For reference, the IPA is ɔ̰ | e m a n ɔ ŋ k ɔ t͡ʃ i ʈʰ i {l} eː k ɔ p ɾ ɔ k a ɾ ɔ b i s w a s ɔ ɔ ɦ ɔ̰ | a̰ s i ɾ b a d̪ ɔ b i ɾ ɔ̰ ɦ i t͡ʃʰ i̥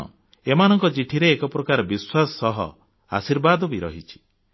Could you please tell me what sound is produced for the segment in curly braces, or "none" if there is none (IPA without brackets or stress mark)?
ɾ